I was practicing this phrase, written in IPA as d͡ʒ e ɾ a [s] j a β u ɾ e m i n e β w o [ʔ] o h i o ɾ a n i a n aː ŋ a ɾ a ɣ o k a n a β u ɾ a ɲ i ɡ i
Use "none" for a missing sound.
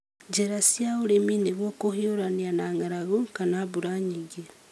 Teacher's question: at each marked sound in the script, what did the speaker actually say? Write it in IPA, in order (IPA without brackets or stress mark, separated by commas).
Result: s, k